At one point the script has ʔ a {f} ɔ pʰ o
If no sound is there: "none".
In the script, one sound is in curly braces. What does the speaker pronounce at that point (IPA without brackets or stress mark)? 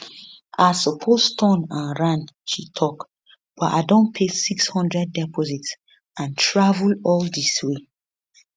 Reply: s